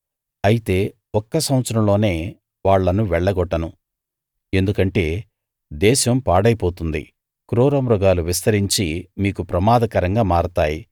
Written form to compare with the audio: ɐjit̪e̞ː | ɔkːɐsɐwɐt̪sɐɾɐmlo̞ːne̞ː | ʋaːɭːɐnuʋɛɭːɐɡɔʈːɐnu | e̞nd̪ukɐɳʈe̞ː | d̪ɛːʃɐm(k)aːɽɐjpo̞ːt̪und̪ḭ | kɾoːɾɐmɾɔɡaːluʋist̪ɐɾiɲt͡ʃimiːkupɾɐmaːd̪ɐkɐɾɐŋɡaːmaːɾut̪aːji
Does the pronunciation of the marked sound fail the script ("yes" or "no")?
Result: yes